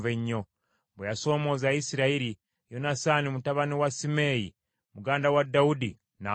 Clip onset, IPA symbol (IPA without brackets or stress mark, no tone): v